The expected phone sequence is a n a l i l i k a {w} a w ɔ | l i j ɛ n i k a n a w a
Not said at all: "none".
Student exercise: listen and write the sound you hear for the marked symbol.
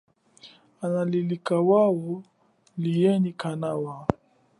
w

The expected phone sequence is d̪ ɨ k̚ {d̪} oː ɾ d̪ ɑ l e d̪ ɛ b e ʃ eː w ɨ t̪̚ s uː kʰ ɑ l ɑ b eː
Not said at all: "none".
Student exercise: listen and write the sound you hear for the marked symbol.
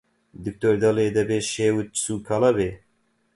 t̪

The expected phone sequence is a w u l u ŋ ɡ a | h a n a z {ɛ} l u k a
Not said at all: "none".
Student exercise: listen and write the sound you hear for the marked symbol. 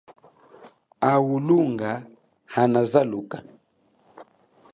a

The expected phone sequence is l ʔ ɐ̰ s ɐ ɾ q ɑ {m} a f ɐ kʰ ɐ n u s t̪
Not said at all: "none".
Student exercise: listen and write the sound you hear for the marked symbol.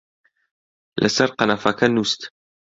n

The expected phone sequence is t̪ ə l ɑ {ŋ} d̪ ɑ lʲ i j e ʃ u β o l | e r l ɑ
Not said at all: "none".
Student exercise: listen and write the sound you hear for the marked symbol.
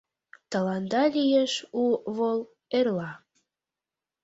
n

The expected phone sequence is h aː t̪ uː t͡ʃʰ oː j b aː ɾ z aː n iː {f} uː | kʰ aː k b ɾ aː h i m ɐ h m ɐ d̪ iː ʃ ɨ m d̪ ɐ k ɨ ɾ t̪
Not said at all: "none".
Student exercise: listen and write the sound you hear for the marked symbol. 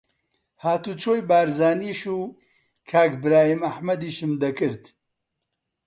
ʃ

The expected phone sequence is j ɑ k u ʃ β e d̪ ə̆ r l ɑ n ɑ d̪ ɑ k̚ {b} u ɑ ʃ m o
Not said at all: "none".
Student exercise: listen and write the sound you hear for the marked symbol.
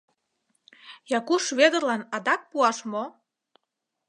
p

